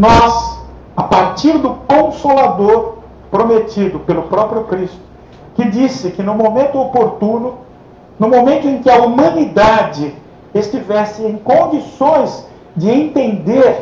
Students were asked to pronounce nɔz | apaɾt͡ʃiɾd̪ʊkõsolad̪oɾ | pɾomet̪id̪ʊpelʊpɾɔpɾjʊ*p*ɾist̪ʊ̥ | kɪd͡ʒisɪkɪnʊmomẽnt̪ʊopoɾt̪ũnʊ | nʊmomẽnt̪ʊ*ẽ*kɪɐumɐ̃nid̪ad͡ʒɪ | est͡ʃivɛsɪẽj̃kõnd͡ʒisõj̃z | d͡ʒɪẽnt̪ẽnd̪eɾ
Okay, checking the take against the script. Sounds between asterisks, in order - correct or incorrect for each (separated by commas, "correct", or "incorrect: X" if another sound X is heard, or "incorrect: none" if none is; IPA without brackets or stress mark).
incorrect: k, correct